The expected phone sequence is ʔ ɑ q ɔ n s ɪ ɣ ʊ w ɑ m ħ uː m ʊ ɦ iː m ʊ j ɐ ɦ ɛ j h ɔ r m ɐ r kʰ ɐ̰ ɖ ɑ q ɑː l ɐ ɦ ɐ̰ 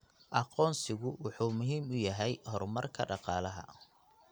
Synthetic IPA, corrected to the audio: ʔ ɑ q ɔː n s ɪ ɣ ʊ w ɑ ħ uː m ʊ ɦ iː m ʊ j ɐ ɦ ɛ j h ɔ r m ɐ r kʰ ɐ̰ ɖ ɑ q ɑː l ɐ ɦ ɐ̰